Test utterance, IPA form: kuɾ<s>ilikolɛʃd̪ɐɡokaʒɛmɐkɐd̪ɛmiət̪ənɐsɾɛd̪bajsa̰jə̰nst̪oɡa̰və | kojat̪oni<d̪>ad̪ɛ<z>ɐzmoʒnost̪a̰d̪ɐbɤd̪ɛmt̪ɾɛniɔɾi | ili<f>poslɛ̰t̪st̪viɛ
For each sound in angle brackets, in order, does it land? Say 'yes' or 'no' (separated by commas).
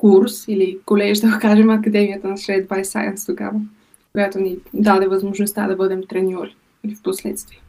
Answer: yes, yes, no, yes